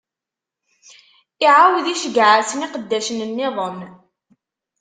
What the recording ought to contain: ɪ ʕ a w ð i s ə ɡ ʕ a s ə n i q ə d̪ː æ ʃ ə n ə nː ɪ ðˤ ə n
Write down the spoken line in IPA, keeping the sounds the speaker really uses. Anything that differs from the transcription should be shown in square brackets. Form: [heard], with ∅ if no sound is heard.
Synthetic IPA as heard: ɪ ʕ a w ð i [ʃ] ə ɡ ʕ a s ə n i q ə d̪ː æ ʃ ə n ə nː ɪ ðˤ ə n